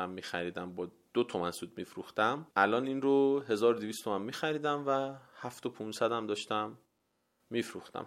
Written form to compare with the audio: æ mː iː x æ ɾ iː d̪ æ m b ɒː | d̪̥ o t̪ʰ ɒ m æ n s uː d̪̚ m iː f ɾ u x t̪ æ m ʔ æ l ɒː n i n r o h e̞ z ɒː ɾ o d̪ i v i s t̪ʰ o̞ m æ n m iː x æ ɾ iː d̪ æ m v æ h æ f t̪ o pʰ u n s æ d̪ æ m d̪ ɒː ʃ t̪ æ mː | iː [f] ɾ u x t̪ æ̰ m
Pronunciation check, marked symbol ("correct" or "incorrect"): correct